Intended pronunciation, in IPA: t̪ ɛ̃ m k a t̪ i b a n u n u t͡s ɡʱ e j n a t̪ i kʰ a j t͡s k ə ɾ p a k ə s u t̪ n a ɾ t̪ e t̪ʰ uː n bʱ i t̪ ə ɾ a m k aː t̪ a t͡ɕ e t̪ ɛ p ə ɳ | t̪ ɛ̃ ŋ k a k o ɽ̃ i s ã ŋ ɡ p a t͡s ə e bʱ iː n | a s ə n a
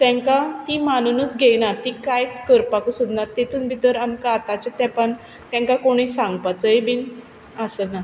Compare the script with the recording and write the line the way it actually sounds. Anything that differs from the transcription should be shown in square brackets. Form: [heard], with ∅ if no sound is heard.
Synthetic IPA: t̪ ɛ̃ [ŋ] k a t̪ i [m] a n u n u t͡s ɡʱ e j n a t̪ i [k] a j t͡s k ə ɾ p a k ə s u [d̪] n a ɾ t̪ e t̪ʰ uː n bʱ i t̪ ə ɾ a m k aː t̪ a t͡ɕ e t̪ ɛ p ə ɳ | t̪ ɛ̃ ŋ k a k o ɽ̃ i s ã ŋ ɡ p a t͡s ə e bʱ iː n | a s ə n a